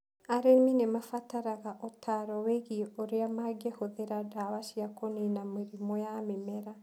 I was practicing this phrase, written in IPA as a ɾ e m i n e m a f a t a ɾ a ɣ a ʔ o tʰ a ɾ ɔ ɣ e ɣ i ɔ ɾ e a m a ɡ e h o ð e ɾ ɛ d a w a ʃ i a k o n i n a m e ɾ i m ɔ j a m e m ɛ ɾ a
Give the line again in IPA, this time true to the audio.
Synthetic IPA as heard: a ɾ e m i n e m a f a t a ɾ a ɣ a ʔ o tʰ a ɾ ɔ w e ɣ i o ɾ e a m a ɡ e h o ð e ɾ a d a w a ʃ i a k o n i n a m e ɾ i m ɔ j a m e m ɛ ɾ a